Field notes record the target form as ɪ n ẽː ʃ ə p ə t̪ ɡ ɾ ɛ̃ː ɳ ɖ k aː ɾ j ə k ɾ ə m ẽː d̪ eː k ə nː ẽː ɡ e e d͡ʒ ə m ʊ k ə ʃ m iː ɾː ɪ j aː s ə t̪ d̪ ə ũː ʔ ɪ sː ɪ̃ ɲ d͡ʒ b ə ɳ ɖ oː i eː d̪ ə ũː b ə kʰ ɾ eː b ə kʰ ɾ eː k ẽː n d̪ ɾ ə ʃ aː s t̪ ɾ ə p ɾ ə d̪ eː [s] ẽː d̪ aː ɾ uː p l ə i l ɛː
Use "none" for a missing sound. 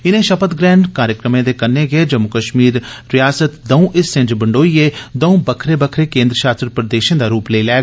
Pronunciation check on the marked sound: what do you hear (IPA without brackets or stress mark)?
ʃ